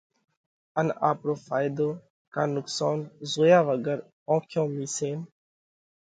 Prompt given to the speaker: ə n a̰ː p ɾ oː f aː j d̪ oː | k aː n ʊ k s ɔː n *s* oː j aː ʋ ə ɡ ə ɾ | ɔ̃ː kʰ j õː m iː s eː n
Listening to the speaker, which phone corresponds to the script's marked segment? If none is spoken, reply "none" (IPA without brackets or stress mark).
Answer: z